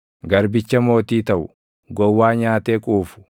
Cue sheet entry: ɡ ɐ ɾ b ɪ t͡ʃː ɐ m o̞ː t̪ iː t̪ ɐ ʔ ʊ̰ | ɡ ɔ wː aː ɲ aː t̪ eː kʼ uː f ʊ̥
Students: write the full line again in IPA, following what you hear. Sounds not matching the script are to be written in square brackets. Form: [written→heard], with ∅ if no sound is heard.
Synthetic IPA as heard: ɡ ɐ ɾ b ɪ t͡ʃː ɐ m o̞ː t̪ iː t̪ ɐ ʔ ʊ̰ | ɡ ɔ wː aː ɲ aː t̪ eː kʼ uː f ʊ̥